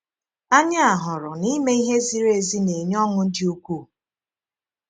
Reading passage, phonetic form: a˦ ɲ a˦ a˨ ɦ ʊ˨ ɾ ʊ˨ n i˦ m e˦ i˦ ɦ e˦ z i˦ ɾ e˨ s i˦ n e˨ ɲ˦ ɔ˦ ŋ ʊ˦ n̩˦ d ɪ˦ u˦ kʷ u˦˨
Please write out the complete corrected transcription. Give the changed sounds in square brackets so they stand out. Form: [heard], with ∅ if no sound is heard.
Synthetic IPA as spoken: a˦ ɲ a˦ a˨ ɦ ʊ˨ ɾ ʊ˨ n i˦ m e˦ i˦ ɦ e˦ z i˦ ɾ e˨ [z] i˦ n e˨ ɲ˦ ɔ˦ ŋ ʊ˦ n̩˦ d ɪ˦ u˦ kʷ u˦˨